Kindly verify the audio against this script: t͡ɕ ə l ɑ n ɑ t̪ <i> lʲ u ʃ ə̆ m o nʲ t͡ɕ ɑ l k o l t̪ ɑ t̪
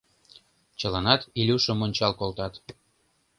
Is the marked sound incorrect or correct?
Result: correct